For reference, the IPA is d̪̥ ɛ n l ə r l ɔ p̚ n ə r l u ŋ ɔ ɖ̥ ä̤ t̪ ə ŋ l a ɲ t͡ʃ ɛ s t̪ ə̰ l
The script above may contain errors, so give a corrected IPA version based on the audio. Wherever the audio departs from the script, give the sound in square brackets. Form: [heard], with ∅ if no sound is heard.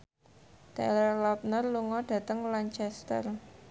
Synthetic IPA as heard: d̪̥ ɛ [∅] l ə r l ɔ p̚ n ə r l u ŋ ɔ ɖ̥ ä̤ t̪ ə ŋ l a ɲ t͡ʃ ɛ s t̪ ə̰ [r]